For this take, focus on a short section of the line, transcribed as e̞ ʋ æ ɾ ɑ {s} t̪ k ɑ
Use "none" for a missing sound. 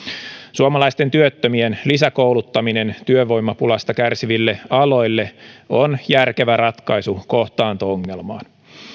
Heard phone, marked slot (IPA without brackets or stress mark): none